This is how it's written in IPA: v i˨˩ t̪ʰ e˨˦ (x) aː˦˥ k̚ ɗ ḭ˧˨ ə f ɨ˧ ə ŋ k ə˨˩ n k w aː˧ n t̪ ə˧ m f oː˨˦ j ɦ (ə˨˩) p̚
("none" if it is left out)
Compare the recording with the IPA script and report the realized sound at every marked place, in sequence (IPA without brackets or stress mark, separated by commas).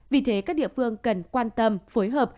k, əː˨˩